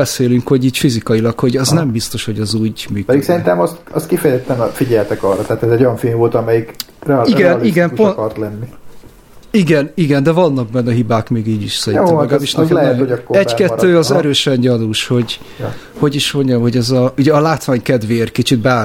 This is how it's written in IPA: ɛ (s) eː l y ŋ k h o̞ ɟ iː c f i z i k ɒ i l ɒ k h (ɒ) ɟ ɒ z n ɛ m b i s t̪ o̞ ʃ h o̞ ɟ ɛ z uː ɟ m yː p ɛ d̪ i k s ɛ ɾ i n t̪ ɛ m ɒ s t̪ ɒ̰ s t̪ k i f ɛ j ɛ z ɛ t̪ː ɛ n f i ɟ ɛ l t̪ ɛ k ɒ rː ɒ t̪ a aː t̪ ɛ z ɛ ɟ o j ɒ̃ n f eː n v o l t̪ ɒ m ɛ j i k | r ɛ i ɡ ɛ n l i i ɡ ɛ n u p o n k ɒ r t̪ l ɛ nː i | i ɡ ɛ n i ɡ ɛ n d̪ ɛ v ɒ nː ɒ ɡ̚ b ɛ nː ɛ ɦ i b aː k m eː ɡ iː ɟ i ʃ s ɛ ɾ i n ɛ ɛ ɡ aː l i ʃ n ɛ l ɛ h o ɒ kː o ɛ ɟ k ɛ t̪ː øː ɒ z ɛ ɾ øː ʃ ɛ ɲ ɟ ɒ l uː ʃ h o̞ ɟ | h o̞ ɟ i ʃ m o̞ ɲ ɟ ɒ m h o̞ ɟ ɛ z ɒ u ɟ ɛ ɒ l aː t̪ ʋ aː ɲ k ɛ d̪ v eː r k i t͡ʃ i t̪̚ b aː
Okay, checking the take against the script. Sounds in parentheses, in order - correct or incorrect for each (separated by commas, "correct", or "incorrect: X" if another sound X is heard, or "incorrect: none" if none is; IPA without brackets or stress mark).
correct, incorrect: o